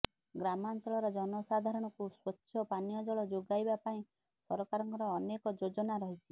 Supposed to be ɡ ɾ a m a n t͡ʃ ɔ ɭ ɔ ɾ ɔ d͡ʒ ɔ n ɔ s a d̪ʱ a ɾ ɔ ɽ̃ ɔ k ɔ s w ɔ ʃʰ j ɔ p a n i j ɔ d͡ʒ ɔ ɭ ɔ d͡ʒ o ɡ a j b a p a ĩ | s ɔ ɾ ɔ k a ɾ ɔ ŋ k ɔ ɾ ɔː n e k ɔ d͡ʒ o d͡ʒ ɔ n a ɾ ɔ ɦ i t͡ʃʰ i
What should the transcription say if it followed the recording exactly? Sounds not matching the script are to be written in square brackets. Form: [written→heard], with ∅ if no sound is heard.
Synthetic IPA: ɡ ɾ a m a n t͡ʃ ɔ ɭ ɔ ɾ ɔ d͡ʒ ɔ n ɔ s a d̪ʱ a ɾ ɔ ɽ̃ ɔ k [ɔ→u] s w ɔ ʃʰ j ɔ p a n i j ɔ d͡ʒ ɔ ɭ ɔ d͡ʒ o ɡ a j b a p a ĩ | s ɔ ɾ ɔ k a ɾ ɔ ŋ k ɔ ɾ ɔː n e k ɔ d͡ʒ o d͡ʒ ɔ n a ɾ ɔ ɦ i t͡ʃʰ i